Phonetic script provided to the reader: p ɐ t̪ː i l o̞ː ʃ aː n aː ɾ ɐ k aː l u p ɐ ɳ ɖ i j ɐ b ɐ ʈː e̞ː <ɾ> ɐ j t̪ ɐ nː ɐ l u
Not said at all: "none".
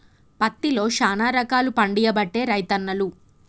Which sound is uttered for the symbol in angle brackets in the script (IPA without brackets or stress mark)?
ɾ